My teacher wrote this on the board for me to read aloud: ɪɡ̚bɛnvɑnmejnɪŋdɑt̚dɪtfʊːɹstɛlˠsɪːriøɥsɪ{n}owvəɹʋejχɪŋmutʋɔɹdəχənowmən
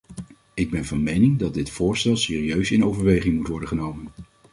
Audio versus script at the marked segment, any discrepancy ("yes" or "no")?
no